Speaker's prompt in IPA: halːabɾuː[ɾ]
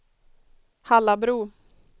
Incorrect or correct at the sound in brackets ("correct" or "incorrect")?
incorrect